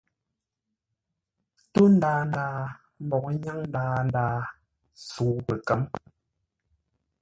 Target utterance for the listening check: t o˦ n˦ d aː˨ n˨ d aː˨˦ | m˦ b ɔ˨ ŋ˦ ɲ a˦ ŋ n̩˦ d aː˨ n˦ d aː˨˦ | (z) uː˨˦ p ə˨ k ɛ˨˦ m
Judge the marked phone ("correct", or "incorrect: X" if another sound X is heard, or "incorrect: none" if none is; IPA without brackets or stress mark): incorrect: s